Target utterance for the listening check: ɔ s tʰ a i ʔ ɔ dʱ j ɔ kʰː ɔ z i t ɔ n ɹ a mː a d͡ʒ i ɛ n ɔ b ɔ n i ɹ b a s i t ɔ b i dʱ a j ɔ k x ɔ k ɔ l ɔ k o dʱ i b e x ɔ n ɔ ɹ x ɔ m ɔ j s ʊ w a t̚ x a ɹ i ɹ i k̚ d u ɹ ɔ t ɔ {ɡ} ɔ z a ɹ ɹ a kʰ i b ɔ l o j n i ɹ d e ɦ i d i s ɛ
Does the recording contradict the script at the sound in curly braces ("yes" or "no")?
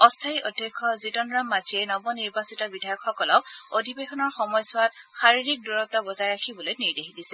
yes